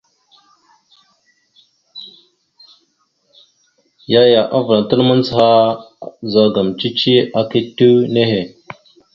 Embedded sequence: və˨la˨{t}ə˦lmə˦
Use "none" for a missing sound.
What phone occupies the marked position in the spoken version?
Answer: t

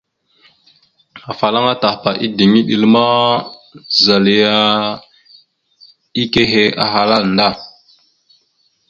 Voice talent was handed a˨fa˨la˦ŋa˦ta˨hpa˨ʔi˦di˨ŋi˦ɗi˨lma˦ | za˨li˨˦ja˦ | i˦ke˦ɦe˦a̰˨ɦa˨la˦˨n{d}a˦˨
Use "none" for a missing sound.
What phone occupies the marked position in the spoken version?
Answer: d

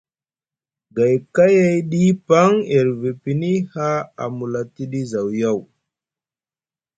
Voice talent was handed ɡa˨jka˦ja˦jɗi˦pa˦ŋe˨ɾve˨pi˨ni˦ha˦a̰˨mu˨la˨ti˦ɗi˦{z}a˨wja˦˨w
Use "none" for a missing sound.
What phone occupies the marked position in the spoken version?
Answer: z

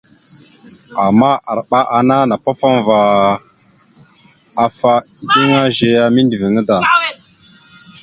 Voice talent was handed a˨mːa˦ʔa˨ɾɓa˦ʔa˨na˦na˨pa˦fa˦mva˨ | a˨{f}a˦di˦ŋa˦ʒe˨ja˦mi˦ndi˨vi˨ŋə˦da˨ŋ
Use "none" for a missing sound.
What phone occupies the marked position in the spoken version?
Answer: f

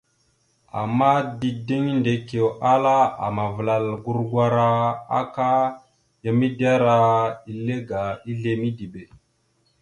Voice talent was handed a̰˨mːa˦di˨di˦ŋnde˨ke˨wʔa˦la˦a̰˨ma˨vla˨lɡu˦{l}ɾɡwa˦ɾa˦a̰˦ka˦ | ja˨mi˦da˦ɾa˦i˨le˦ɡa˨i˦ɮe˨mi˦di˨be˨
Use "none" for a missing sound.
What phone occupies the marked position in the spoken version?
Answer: none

